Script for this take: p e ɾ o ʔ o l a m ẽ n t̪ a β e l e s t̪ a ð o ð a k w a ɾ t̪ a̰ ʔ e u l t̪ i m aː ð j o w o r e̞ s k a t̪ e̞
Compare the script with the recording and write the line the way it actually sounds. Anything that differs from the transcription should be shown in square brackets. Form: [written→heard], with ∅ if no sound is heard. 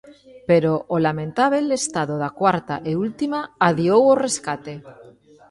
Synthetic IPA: p e ɾ o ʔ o l a m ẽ n t̪ a β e l e s t̪ a ð o ð a k w a ɾ t̪ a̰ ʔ e u l t̪ i m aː ð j o w o r e̞ s k a t̪ e̞